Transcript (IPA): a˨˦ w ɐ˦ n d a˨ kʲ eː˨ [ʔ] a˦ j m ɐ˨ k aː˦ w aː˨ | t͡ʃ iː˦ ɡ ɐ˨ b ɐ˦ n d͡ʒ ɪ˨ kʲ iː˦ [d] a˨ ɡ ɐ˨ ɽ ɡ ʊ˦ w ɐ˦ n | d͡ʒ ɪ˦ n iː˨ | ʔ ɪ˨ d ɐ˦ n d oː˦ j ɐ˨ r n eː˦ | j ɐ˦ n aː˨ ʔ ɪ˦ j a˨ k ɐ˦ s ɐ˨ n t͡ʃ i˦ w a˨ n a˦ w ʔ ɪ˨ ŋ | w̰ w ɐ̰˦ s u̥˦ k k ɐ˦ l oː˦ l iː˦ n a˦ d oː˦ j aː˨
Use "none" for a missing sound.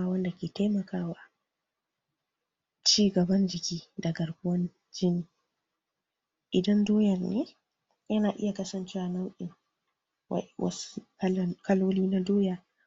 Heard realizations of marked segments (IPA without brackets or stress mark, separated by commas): t, d